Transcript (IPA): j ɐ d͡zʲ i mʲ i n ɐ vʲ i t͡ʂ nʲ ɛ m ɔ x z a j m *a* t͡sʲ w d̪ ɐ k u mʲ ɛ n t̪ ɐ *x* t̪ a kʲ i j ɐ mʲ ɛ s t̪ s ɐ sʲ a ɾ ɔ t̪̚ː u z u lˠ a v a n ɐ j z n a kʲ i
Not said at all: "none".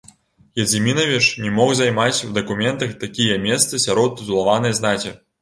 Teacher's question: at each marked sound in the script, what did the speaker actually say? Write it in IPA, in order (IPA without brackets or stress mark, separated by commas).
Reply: a, x